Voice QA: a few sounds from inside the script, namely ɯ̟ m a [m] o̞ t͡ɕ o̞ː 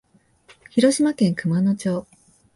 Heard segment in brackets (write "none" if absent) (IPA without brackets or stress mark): n